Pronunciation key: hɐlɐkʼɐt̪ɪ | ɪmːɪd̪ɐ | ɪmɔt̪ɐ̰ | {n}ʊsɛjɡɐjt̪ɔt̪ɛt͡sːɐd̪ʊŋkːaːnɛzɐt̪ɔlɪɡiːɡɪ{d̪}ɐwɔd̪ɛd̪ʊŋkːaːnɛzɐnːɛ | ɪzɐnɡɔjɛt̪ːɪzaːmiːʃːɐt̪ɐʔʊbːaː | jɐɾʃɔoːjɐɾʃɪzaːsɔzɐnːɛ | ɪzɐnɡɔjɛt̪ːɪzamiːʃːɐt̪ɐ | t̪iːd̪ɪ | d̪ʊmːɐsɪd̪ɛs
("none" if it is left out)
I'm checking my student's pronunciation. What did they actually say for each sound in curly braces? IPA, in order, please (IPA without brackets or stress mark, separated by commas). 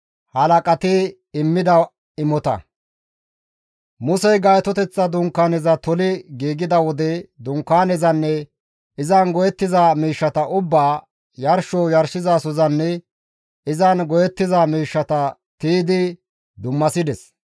m, d̪